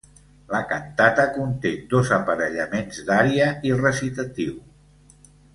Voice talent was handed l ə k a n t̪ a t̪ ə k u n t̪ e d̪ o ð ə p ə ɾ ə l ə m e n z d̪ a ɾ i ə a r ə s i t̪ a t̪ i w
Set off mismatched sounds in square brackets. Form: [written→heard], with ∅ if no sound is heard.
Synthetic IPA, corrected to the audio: l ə k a n t̪ a t̪ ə k u n t̪ e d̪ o [ð→z] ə p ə ɾ ə [l→ʎ] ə m e n z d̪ a ɾ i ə [a→i] r ə s i t̪ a t̪ i w

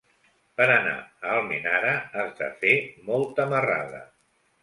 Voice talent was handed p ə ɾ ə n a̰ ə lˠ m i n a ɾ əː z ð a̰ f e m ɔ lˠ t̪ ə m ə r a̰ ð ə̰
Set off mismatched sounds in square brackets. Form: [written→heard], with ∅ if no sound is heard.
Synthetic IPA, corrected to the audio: p ə ɾ ə n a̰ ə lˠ m i n a ɾ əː z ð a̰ f e m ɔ lˠ t̪ ə m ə r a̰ ð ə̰

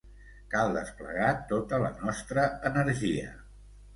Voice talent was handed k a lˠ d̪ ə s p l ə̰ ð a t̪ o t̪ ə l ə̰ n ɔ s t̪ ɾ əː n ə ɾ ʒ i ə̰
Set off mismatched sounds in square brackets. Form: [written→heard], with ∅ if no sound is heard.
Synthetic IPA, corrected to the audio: k a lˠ d̪ ə s p l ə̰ [ð→ɣ] a t̪ o t̪ ə l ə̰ n ɔ s t̪ ɾ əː n ə ɾ ʒ i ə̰

